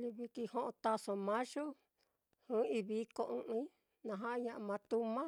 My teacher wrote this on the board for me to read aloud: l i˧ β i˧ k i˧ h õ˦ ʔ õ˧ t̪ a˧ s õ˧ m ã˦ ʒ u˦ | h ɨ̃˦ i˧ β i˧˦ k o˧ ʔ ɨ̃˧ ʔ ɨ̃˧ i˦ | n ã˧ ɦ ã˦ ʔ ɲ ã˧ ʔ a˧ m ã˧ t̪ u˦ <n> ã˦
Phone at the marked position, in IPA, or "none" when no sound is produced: m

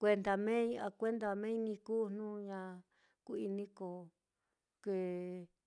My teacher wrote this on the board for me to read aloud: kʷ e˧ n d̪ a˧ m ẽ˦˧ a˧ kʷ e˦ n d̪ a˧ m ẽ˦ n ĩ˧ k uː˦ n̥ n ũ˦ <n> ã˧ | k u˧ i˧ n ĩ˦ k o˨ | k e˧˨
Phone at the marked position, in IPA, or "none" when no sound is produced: ɲ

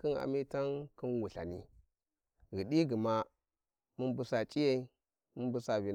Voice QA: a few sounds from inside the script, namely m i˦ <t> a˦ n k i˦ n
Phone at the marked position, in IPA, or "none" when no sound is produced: t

